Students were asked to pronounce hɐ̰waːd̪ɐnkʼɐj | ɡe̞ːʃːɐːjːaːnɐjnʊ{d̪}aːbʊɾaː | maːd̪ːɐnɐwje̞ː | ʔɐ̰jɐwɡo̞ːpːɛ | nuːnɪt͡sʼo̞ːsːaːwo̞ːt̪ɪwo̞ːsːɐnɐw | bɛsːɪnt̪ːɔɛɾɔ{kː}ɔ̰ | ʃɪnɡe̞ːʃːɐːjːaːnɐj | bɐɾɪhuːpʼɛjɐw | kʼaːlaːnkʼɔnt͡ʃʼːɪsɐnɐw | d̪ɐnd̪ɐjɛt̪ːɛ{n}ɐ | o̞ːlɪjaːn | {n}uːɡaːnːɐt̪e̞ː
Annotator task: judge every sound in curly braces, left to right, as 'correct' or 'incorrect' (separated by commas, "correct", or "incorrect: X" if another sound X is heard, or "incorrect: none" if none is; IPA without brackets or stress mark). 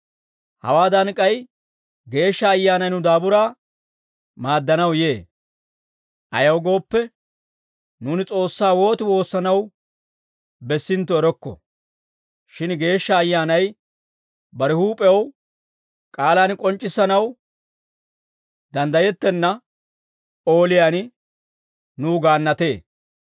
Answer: correct, correct, incorrect: nː, correct